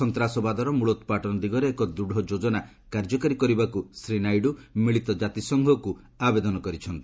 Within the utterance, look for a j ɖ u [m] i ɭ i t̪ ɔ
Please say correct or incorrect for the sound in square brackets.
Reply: correct